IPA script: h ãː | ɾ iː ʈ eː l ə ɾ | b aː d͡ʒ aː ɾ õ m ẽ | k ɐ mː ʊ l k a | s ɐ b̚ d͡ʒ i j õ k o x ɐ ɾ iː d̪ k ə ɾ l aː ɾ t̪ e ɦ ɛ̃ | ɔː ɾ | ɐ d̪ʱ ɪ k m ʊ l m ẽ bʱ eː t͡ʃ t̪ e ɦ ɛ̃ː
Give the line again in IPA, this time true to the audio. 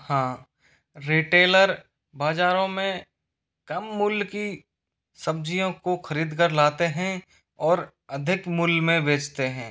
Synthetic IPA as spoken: h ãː | ɾ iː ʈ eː l ə ɾ | b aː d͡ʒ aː ɾ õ m ẽ | k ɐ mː ʊ l k i | s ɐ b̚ d͡ʒ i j õ k o x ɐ ɾ iː d̪ k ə ɾ l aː t̪ e ɦ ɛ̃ | ɔː ɾ | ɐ d̪ʱ ɪ k m ʊ l m ẽ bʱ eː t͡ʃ t̪ e ɦ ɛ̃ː